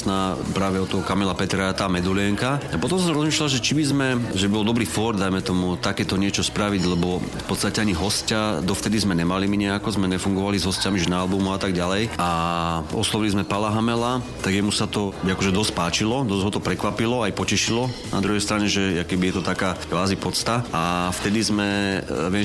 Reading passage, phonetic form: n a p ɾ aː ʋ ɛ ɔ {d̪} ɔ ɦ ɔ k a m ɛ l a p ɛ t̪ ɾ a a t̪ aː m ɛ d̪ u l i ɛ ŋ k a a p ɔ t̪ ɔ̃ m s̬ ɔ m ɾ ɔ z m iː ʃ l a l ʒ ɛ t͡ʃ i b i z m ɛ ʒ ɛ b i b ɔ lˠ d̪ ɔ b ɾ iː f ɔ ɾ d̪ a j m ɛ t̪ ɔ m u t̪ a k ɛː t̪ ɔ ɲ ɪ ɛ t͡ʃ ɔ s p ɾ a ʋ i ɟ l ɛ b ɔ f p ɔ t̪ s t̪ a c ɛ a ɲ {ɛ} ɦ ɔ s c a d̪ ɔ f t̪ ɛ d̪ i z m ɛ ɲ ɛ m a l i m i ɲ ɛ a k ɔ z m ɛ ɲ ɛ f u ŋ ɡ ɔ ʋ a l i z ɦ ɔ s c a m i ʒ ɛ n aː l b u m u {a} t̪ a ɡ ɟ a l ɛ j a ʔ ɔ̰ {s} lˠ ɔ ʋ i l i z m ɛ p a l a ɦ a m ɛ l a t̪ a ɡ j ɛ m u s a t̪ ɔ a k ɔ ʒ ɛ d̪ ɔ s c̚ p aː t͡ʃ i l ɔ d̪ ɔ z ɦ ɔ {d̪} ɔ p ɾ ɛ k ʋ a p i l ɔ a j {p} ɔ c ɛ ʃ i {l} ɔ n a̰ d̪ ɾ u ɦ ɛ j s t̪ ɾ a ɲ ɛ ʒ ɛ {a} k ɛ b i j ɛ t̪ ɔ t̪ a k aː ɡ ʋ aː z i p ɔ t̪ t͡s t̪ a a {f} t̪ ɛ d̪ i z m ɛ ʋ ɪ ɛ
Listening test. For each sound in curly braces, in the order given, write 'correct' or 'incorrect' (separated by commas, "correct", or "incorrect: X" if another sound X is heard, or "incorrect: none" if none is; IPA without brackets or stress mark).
incorrect: t̪, incorrect: i, correct, correct, incorrect: t̪, correct, correct, correct, correct